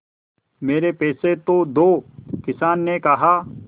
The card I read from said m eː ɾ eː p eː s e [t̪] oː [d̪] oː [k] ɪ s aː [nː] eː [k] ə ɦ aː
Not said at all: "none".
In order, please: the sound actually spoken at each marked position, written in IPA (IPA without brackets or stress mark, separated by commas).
t̪, d̪, k, nː, k